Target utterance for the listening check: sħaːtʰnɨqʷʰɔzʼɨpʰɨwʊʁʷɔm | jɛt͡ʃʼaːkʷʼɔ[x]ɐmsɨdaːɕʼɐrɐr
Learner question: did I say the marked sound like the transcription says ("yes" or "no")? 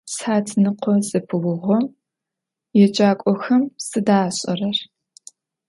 yes